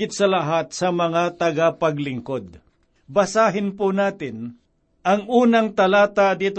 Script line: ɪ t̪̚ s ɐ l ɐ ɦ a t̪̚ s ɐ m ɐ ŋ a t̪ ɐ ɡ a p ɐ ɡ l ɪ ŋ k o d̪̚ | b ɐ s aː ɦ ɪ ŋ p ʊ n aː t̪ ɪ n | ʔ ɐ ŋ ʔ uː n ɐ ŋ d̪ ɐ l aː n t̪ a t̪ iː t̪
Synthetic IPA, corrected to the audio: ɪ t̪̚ s ɐ l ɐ ɦ a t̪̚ s ɐ m ɐ ŋ a t̪ ɐ ɡ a p ɐ ɡ l ɪ ŋ k o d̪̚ | b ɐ s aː ɦ ɪ n p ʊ n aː t̪ ɪ n | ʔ ɐ ŋ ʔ uː n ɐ ŋ t̪ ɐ l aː t̪ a d̪ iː t̪